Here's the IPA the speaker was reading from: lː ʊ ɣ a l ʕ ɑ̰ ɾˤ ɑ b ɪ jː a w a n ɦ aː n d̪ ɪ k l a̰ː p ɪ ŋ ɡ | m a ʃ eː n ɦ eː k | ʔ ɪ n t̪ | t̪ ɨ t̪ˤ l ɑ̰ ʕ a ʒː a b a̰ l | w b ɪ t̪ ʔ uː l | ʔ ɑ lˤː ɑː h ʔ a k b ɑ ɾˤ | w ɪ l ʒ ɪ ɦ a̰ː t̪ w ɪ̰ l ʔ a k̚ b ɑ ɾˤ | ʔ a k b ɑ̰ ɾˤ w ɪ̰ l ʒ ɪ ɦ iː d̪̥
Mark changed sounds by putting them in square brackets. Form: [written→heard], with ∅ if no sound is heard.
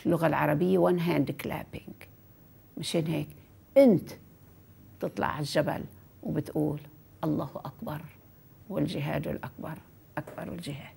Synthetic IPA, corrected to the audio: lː ʊ ɣ a l ʕ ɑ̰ ɾˤ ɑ b ɪ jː a w a n ɦ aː n d̪ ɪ k l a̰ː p ɪ ŋ ɡ | m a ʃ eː n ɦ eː k | ʔ ɪ n t̪ | t̪ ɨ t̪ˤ l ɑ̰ ʕ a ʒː a b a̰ l | w b ɪ t̪ ʔ uː l | ʔ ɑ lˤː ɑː h ʔ a k b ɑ ɾˤ | w ɪ l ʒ ɪ ɦ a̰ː [t̪→d̪] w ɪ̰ l ʔ a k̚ b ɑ ɾˤ | ʔ a k b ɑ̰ ɾˤ w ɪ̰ l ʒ ɪ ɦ [iː→aː] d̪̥

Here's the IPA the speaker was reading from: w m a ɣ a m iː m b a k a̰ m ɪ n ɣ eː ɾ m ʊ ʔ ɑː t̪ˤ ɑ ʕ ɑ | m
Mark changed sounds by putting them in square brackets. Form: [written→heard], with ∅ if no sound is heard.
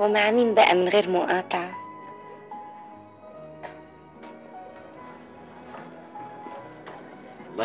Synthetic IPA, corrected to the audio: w m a [ɣ→ʕ] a m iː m b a [k→ʔ] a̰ m ɪ n ɣ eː ɾ m ʊ ʔ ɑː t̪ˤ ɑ ʕ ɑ | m

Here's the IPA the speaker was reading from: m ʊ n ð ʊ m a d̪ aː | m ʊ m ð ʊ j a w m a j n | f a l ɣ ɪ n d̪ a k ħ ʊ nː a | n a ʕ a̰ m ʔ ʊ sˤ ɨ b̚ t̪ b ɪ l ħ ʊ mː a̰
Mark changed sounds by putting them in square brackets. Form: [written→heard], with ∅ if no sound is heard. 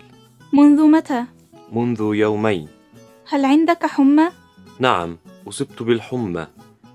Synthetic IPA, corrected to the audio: m ʊ n ð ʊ m a [d̪→t̪] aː | m ʊ [m→n] ð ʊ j a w m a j n | [f→h] a l [ɣ→ʕ] ɪ n d̪ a k ħ ʊ [nː→mː] a | n a ʕ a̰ m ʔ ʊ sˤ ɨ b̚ t̪ b ɪ l ħ ʊ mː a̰

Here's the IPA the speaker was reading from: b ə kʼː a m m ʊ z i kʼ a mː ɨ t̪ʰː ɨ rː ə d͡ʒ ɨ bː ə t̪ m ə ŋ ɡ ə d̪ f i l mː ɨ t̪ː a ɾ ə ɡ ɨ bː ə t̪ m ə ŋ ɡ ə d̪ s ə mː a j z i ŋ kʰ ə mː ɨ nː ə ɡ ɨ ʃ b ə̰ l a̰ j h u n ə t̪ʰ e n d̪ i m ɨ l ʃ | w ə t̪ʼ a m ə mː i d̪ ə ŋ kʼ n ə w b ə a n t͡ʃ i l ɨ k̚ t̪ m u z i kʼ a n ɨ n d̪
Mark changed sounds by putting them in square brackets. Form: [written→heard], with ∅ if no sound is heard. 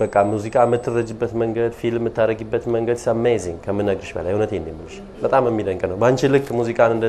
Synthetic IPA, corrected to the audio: b ə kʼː a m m [ʊ→u] z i kʼ a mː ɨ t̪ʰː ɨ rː ə d͡ʒ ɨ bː ə t̪ m ə ŋ ɡ ə d̪ f i l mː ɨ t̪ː a ɾ ə ɡ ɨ bː ə t̪ m ə ŋ ɡ ə d̪ s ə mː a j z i ŋ kʰ ə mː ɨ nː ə ɡ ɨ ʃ b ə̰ l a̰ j h u n ə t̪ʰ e n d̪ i m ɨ l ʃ | [w→b] ə t̪ʼ a m ə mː i d̪ ə ŋ kʼ n ə w b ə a n t͡ʃ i l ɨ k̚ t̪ m u z i kʼ a n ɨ n d̪

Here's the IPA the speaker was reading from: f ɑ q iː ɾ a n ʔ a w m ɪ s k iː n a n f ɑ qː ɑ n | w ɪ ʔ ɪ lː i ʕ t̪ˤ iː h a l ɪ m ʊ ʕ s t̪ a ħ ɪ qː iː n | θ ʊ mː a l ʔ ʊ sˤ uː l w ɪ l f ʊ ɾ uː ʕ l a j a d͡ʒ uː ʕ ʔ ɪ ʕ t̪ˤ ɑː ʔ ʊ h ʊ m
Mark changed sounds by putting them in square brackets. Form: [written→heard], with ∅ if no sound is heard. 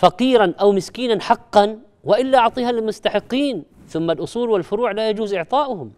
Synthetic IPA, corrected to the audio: f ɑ q iː ɾ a n ʔ a w m ɪ s k iː n a n [f→ħ] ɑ qː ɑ n | w ɪ ʔ ɪ lː [i→a] ʕ t̪ˤ iː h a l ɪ m ʊ [ʕ→∅] s t̪ a ħ ɪ qː iː n | θ ʊ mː a l ʔ ʊ sˤ uː l w ɪ l f ʊ ɾ uː ʕ l a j a d͡ʒ uː [ʕ→z] ʔ ɪ ʕ t̪ˤ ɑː ʔ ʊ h ʊ m

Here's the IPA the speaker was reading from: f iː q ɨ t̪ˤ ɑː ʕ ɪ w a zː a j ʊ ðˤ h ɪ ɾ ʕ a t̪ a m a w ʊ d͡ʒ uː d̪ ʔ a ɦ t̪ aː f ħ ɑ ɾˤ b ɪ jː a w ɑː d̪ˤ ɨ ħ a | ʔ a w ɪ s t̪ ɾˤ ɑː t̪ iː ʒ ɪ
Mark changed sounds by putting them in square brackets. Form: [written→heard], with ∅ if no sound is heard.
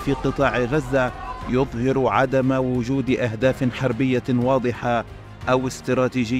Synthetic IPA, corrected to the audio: f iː q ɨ t̪ˤ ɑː ʕ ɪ [w→ɣ] a zː a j ʊ ðˤ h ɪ ɾ ʕ a [t̪→d̪] a m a w ʊ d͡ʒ uː d̪ ʔ a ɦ [t̪→d̪] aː f ħ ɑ ɾˤ b ɪ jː a w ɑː d̪ˤ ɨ ħ a | ʔ a w ɪ s t̪ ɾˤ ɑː t̪ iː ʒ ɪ

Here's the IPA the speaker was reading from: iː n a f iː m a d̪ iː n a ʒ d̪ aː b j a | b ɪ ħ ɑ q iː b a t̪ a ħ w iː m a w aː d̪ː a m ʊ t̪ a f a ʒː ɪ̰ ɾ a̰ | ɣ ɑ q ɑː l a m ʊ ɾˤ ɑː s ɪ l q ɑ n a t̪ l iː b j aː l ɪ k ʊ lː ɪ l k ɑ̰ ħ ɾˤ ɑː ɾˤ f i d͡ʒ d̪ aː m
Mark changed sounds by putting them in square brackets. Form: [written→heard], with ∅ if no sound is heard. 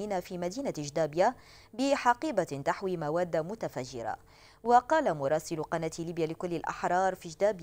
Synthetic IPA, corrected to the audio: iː n a f iː m a d̪ iː n a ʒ d̪ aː b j a | b ɪ ħ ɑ q iː b a t̪ a ħ w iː m a w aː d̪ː a m ʊ t̪ a f a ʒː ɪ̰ ɾ a̰ | [ɣ→w] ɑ q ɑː l a m ʊ ɾˤ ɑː s ɪ l q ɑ n a t̪ l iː b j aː l ɪ k ʊ lː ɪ l [k→ʔ] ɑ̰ ħ ɾˤ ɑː ɾˤ f i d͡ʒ d̪ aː [m→b]

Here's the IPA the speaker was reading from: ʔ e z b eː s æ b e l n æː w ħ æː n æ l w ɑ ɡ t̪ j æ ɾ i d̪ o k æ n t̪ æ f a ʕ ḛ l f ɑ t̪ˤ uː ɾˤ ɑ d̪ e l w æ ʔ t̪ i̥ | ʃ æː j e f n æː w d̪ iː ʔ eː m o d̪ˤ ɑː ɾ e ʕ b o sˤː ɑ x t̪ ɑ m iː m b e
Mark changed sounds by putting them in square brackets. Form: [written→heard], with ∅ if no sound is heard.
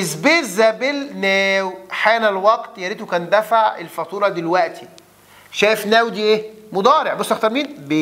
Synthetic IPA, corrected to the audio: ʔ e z b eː [s→z] æ b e l n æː w ħ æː n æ l w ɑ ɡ t̪ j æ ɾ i [d̪→t̪] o k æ n [t̪→d̪] æ f a ʕ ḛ l f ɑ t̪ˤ uː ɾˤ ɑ d̪ e l w æ ʔ t̪ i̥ | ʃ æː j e f n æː w d̪ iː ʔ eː m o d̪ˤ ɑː ɾ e ʕ b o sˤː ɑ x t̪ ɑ m iː [m→n] b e

